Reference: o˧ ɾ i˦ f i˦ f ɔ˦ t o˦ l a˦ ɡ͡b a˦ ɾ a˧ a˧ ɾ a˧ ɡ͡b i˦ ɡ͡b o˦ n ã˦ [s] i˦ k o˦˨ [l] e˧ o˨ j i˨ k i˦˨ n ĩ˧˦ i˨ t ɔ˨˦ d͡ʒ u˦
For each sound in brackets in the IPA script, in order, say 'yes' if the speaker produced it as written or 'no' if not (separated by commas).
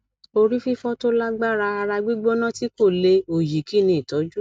no, yes